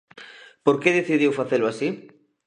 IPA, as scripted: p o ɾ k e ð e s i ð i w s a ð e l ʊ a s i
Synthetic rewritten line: p o ɾ k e ð e θ i ð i w f a θ e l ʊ a s i

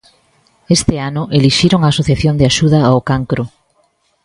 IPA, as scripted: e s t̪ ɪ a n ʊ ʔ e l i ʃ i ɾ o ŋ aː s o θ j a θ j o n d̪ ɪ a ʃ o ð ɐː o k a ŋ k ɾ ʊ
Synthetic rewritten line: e s t̪ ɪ a n ʊ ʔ e l i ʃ i ɾ o ŋ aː s o θ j a θ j o n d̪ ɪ a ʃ u ð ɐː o k a ŋ k ɾ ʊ

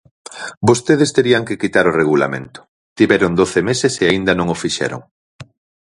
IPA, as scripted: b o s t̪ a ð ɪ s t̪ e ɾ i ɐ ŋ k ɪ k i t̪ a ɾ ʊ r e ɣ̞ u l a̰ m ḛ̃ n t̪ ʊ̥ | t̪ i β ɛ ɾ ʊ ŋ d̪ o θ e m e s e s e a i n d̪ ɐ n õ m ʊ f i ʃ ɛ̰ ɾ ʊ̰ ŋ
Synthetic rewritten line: b o s t̪ e ð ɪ s t̪ e ɾ i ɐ ŋ k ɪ k i t̪ a ɾ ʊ r e ɣ̞ u l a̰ m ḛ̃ n t̪ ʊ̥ | t̪ i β ɛ ɾ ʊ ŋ d̪ o θ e m e s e s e a i n d̪ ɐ n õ ŋ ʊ f i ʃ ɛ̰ ɾ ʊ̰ ŋ

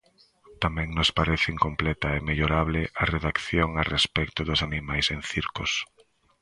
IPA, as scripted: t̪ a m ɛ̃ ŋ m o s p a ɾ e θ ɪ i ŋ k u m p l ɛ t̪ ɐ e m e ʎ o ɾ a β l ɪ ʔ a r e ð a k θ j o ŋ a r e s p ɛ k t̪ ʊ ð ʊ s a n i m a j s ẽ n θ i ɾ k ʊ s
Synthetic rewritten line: t̪ a m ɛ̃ ŋ n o s p a ɾ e θ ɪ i ŋ k o m p l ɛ t̪ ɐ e m e ʎ o ɾ a β l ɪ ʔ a r e ð a k θ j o ŋ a r e s p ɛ k t̪ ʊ ð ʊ s a n i m a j s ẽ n θ i ɾ k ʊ s

